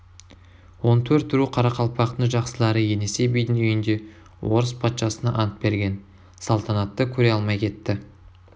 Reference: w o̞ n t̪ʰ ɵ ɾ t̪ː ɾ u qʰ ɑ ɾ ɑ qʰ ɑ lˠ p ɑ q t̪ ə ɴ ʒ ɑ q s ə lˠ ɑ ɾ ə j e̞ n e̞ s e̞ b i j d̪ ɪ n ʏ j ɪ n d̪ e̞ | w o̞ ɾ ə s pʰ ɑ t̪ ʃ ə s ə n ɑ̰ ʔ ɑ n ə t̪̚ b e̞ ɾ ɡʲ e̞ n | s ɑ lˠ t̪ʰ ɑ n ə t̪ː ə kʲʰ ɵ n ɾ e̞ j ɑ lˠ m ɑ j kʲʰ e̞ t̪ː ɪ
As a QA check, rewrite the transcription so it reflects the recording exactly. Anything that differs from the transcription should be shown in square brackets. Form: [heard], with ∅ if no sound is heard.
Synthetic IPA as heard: w o̞ n t̪ʰ ɵ ɾ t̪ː ɾ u qʰ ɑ ɾ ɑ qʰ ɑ lˠ p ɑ q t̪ ə ɴ ʒ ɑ q s ə lˠ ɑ ɾ ə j e̞ n e̞ s e̞ b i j d̪ ɪ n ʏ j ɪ n d̪ e̞ | w o̞ ɾ ə s pʰ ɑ t̪ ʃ [ɑ] s ə n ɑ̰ ʔ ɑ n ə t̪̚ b e̞ ɾ ɡʲ e̞ n | s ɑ lˠ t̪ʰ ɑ n [ɑ] t̪ː ə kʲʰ ɵ [∅] ɾ e̞ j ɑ lˠ m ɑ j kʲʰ e̞ t̪ː ɪ